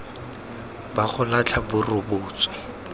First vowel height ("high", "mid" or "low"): low